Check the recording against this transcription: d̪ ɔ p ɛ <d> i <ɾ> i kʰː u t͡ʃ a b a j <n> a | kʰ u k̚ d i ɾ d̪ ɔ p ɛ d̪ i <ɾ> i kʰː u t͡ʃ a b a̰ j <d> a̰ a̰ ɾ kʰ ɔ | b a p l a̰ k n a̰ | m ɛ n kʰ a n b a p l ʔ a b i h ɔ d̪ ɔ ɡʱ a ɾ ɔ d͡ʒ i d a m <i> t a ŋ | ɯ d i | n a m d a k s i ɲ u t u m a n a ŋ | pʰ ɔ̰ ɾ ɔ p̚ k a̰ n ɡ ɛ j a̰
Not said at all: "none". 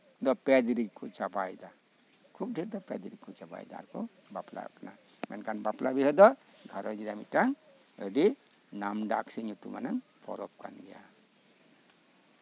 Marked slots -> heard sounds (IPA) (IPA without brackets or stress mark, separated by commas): d, ɾ, d, ɾ, d, i